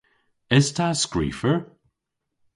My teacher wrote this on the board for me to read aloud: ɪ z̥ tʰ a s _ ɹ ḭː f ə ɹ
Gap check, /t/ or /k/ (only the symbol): k